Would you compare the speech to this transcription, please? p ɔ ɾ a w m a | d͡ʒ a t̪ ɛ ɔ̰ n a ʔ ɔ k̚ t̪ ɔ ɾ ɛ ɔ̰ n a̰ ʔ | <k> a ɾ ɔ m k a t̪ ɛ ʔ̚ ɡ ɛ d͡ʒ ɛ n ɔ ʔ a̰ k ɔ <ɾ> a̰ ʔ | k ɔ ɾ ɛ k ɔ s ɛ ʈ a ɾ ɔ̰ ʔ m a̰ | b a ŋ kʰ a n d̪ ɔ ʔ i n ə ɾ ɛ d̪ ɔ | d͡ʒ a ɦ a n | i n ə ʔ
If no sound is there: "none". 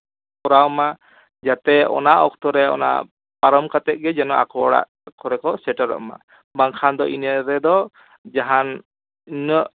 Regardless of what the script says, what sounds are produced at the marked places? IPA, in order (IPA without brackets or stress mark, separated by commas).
p, ɽ